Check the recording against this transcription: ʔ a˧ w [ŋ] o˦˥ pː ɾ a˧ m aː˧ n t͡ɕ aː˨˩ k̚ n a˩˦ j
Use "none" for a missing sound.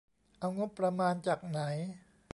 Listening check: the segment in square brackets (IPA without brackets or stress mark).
ŋ